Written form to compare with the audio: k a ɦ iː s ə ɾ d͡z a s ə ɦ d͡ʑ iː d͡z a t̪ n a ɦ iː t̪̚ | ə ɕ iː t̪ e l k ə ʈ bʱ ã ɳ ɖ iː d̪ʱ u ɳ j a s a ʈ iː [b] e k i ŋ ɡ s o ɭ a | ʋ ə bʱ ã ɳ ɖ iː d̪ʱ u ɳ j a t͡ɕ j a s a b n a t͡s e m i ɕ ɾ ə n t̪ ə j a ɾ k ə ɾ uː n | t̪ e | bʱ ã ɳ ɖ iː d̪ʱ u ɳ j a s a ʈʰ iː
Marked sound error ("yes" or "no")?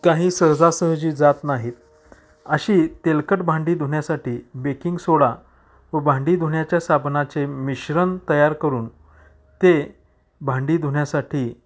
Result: no